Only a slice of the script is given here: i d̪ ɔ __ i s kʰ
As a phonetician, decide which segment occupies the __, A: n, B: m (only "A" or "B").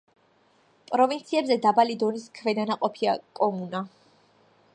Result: A